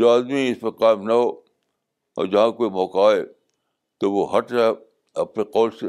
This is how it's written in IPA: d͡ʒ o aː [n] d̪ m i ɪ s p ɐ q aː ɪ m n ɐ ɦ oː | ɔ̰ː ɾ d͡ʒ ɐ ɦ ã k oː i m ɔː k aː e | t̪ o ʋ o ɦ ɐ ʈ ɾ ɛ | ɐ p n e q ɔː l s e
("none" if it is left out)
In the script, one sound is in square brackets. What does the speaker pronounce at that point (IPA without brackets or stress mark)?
none